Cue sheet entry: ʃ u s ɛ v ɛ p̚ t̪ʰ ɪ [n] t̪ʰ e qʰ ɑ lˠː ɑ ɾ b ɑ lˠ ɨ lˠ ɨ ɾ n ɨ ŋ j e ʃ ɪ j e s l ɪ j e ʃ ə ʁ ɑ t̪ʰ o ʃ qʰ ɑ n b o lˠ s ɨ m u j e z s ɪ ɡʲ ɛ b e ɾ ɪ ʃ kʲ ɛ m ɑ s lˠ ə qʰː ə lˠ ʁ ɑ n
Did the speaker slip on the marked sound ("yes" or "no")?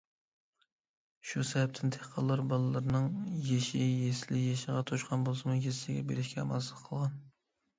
no